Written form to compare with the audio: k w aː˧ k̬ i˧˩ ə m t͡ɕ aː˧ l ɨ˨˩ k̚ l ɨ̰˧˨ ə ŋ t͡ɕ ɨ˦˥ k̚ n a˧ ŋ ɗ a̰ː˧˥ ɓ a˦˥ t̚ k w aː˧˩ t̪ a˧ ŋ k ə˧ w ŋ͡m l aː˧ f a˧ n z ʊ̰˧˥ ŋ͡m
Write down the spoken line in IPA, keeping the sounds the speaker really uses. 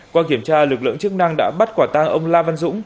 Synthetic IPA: k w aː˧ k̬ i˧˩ ə m t͡ɕ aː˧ l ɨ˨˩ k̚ l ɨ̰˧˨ ə ŋ t͡ɕ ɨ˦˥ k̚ n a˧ ŋ ɗ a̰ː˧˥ ɓ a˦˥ t̚ k w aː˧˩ t̪ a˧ ŋ ʔ ə˧ w ŋ͡m l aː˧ v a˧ n z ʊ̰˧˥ ŋ͡m